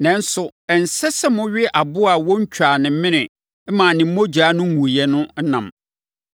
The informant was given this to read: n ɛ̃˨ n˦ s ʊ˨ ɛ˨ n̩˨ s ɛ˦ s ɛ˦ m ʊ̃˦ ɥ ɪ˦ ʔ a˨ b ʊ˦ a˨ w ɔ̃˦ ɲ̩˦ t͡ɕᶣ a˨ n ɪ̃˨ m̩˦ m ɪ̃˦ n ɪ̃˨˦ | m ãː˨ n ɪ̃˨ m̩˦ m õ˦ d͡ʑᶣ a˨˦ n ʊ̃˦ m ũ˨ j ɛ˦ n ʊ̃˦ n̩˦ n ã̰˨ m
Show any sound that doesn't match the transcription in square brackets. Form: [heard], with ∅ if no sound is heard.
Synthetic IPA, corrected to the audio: n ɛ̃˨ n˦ s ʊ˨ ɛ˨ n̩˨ s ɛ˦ s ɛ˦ m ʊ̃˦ ɥ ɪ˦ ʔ a˨ b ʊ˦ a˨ w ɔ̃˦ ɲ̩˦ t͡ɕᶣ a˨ n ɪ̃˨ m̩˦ m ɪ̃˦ n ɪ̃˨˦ | m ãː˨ n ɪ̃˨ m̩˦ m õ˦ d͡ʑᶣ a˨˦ n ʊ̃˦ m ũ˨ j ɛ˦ n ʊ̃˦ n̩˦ n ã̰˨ m